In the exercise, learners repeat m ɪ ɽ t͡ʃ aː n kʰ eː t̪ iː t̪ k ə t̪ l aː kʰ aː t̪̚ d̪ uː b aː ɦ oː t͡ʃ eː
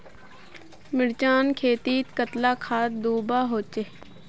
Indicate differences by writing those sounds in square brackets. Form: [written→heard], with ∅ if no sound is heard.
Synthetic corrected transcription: m ɪ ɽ t͡ʃ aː n kʰ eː t̪ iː t̪ k ə t̪ l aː kʰ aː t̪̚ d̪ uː b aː ɦ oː t͡ʃ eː